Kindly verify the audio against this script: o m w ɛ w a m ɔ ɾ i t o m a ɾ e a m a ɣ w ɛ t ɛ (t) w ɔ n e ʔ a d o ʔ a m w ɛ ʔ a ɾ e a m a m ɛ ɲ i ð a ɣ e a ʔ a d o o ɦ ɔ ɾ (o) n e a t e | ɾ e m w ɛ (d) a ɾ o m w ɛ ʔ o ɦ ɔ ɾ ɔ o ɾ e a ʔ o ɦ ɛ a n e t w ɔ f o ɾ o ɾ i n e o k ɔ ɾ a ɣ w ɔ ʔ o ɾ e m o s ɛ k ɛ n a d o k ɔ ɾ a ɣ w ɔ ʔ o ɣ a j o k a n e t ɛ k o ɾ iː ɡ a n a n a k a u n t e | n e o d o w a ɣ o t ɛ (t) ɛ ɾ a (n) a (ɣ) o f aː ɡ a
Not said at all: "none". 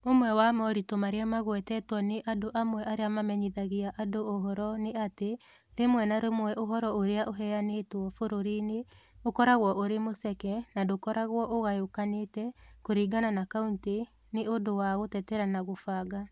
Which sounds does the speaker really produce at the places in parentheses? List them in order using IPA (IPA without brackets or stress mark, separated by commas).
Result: t, ɔ, n, t, n, ɣ